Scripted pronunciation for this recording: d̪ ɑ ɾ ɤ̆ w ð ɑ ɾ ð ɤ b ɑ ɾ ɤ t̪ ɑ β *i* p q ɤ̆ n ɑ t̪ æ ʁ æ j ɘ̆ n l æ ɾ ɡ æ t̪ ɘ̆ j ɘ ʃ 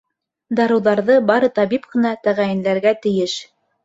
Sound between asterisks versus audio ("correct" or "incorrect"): correct